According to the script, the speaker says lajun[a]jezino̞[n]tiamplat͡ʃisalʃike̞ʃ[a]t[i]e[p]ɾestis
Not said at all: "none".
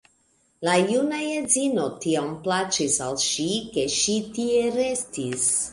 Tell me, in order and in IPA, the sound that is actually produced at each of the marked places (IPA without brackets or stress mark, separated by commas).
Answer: a, none, i, i, none